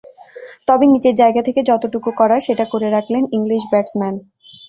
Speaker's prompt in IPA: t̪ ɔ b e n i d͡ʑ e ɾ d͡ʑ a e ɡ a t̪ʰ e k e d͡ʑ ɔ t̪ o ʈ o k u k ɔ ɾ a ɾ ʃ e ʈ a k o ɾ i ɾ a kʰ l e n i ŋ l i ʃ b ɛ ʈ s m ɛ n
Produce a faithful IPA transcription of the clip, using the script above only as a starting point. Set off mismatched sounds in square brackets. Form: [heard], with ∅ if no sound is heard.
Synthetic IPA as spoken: t̪ ɔ b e n i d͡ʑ e ɾ d͡ʑ a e ɡ a t̪ʰ e k e d͡ʑ ɔ t̪ o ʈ [u] k u k ɔ ɾ a ɾ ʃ e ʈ a k o ɾ [e] ɾ a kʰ l e n i ŋ l i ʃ b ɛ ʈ s m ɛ n